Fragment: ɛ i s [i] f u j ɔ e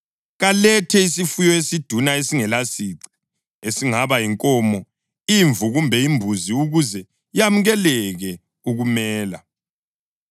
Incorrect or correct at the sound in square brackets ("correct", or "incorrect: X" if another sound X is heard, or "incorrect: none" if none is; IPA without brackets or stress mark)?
correct